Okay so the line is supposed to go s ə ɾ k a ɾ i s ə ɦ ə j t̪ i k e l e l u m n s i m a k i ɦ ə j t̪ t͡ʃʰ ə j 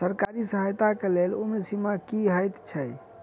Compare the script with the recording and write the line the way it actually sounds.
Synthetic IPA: s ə ɾ k a ɾ i s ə ɦ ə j t̪ a k e l e l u m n s i m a k i ɦ ə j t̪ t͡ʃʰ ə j

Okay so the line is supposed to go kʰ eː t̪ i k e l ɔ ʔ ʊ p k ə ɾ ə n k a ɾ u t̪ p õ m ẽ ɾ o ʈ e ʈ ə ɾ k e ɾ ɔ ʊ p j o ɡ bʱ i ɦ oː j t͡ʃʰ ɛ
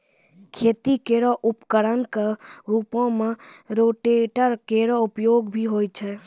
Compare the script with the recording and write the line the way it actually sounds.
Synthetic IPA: kʰ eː t̪ i k e ɾ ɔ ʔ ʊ p k ə ɾ ə n k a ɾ u p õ m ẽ ɾ o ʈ e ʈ ə ɾ k e ɾ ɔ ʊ p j o ɡ bʱ i ɦ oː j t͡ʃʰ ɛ

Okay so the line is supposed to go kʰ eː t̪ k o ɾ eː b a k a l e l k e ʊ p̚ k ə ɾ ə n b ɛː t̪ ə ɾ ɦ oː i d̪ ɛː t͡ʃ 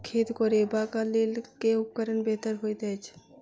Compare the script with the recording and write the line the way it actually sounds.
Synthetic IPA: kʰ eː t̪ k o ɾ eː b a k a l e l k e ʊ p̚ k ə ɾ ə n b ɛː t̪ ə ɾ ɦ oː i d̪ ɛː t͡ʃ

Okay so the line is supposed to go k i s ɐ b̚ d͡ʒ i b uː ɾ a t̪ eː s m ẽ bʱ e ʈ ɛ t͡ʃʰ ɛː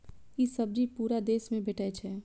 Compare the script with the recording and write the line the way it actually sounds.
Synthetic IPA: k i s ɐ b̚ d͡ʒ i p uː ɾ a d̪ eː s m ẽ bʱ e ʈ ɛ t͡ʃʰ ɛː

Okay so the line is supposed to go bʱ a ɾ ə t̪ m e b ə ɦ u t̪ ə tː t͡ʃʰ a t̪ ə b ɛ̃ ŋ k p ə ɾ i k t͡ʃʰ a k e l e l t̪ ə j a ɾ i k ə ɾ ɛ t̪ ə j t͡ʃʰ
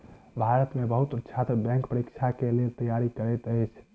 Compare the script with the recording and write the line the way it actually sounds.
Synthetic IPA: bʱ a ɾ ə t̪ m e b ə ɦ u t̪ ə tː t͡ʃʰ a t̪ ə b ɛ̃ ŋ k p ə ɾ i k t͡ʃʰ a k e l e l t̪ ə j a ɾ i k ə ɾ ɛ t̪ ə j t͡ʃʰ

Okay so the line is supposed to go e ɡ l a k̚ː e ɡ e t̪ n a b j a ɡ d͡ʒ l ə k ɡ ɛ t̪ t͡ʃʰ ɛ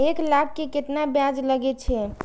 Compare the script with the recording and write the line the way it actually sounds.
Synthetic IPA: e k l a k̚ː e k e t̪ n a b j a d͡ʒ l ə ɡ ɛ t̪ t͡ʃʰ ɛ

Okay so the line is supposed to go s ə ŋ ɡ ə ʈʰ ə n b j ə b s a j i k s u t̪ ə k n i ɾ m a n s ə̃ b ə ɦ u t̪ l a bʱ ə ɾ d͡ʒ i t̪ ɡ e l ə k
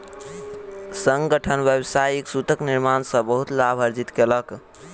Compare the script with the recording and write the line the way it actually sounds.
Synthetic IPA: s ə ŋ ɡ ə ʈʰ ə n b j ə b s a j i k s u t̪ ə k n i ɾ m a n s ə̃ b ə ɦ u t̪ l a bʱ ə ɾ d͡ʒ i t̪ k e l ə k

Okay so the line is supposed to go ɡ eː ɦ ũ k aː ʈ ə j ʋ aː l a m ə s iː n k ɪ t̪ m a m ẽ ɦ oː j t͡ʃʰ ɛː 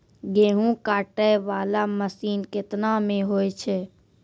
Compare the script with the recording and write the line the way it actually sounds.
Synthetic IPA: ɡ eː ɦ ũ k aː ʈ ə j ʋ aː l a m ə s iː n k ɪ t̪ n a m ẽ ɦ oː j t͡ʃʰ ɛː

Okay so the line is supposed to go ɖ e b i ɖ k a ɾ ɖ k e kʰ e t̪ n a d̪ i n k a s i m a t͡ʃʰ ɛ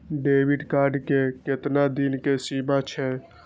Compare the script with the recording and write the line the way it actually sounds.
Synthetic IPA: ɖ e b i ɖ k a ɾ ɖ k e k e t̪ n a d̪ i n k e s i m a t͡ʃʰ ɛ

